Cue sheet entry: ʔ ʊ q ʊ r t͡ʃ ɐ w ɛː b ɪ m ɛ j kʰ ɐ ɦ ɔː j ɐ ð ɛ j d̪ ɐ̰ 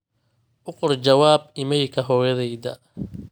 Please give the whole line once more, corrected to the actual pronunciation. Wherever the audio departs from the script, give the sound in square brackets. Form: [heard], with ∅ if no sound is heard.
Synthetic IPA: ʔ ʊ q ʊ r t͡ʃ ɐ w [aː] b ɪ m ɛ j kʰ ɐ ɦ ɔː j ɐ ð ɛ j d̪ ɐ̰